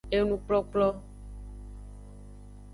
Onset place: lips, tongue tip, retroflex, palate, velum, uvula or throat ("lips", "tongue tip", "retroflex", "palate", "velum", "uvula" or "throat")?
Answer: tongue tip